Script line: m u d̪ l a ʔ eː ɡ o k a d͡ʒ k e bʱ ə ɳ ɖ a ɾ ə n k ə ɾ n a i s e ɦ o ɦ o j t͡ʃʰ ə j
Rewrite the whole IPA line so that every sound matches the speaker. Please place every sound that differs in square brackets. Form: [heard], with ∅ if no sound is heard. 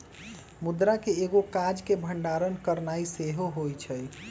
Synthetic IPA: m u d̪ [ɾ] a [k] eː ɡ o k a d͡ʒ k e bʱ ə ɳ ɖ a ɾ ə n k ə ɾ n a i s e ɦ o ɦ o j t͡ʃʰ ə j